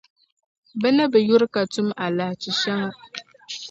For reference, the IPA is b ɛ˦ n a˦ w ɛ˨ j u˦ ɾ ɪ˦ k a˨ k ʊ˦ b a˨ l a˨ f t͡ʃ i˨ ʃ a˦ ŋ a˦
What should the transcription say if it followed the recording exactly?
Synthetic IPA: b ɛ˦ n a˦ b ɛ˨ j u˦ ɾ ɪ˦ k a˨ t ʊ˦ m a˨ l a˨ h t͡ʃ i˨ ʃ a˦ ŋ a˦

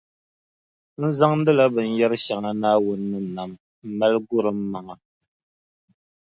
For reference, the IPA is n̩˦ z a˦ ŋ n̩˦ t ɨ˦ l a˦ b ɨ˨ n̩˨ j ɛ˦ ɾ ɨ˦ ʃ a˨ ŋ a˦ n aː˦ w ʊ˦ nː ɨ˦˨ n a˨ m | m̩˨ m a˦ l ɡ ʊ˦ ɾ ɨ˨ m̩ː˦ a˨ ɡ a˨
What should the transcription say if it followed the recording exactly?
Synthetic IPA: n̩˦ z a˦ ŋ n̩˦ d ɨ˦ l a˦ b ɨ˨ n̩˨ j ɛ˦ ɾ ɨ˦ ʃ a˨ ŋ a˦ n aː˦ w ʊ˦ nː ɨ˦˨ n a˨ m | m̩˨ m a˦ l ɡ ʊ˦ ɾ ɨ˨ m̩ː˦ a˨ ŋ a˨

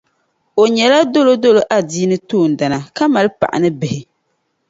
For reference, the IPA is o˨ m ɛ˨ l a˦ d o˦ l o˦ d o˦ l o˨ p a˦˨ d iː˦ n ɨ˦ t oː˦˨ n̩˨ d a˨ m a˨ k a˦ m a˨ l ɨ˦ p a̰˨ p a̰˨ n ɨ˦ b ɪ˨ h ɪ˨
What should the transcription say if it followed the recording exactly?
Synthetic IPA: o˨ ɲ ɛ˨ l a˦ d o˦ l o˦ d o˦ l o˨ ʔ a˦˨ d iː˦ n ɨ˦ t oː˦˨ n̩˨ d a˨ n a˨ k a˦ m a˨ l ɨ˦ p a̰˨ ʔ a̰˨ n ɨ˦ b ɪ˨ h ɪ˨

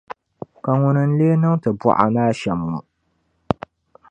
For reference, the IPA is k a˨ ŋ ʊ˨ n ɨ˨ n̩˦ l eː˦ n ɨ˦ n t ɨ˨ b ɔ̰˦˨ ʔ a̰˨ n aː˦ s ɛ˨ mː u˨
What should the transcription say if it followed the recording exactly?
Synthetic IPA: k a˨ ŋ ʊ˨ n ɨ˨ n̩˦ l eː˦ n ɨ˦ ŋ t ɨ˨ b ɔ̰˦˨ ʔ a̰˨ n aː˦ ʃ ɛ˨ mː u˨

